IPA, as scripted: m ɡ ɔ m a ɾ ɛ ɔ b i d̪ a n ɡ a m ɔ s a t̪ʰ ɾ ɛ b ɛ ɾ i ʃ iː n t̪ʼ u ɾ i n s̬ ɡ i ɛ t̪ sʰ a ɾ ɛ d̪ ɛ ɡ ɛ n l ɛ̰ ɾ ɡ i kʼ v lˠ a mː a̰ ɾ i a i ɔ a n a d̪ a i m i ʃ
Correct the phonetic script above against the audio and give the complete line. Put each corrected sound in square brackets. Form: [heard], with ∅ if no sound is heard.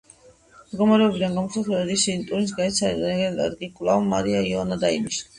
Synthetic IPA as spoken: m ɡ ɔ m a ɾ ɛ ɔ b i d̪ a n ɡ a m ɔ s a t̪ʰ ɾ ɛ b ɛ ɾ i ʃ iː n t̪ʼ u ɾ i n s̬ ɡ [a] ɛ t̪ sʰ a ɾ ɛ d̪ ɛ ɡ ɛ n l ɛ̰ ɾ ɡ i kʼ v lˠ a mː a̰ ɾ i a i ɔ a n a d̪ a i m i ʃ